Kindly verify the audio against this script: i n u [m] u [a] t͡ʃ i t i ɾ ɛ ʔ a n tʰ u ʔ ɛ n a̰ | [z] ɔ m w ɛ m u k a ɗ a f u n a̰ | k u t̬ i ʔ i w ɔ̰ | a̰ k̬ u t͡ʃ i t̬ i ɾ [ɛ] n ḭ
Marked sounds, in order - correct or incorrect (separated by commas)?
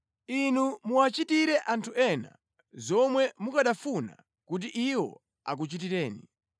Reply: correct, correct, correct, incorrect